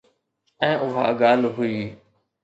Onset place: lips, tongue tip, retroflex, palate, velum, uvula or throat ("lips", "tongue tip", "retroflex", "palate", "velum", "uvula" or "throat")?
throat